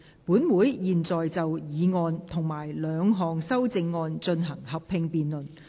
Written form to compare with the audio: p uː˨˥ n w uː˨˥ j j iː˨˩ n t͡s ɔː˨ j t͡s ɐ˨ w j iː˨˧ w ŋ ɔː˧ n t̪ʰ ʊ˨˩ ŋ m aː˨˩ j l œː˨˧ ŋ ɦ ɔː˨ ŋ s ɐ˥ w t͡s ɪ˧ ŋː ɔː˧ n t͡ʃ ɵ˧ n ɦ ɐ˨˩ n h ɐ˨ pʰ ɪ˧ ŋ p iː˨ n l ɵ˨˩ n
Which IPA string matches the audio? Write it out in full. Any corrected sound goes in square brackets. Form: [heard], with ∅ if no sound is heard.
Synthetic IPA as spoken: p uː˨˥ n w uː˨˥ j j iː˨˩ n t͡s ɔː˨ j t͡s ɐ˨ w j iː˨˧ [∅] ŋ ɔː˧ n t̪ʰ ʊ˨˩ ŋ m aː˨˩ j l œː˨˧ ŋ ɦ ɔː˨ ŋ s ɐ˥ w t͡s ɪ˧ ŋː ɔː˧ n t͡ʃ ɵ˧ n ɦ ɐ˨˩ [ŋ] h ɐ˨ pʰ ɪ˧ ŋ p iː˨ n l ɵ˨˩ n